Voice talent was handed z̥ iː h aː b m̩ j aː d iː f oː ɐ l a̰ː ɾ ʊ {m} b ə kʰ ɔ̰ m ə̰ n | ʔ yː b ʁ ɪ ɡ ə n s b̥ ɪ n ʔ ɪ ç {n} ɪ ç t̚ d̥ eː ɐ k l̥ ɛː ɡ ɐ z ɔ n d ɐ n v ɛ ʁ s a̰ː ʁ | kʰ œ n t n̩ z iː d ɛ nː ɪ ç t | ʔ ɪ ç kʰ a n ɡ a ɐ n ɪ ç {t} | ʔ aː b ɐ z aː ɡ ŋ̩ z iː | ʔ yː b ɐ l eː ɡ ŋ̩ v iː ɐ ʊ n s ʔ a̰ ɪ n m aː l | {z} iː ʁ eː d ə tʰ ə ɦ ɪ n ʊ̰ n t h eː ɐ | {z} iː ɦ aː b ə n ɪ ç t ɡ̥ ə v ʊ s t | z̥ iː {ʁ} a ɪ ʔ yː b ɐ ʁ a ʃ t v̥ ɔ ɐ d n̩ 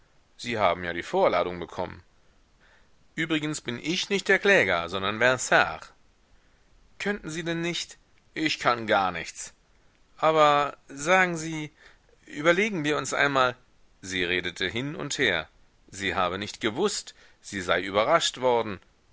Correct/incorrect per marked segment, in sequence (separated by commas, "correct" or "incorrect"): incorrect, correct, incorrect, correct, correct, incorrect